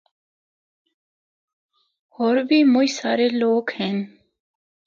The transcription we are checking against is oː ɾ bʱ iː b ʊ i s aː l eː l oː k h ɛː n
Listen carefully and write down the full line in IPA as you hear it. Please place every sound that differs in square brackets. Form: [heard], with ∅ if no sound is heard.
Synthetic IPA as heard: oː ɾ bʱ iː [m] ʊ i s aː [ɾ] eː l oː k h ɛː n